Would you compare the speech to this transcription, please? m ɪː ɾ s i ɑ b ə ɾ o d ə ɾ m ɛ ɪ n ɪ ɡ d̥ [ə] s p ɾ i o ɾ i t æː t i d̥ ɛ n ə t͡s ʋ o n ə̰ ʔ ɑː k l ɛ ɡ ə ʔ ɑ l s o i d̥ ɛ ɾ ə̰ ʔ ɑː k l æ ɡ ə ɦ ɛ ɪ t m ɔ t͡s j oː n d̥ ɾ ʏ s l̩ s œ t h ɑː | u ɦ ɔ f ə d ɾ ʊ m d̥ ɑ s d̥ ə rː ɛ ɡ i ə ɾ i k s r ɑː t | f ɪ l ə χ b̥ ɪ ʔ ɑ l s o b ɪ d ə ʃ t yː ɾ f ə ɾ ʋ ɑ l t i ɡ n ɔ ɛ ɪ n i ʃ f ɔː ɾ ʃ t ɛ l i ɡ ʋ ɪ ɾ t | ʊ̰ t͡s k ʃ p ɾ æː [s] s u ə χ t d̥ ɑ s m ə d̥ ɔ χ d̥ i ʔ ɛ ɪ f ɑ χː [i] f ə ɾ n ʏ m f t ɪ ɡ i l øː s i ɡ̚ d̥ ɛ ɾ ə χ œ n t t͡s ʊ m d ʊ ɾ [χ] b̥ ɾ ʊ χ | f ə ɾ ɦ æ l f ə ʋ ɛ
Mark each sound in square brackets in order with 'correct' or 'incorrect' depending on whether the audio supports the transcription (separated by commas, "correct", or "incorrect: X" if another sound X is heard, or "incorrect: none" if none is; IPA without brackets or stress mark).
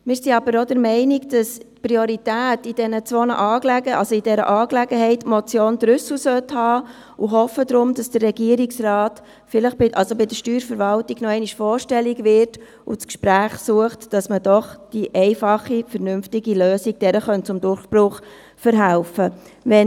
incorrect: ɑ, incorrect: χ, correct, correct